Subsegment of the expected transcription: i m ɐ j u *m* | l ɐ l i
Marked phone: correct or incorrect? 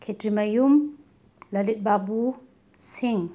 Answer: correct